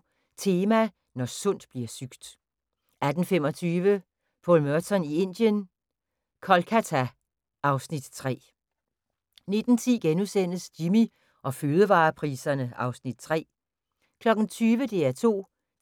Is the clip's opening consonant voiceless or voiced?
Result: voiceless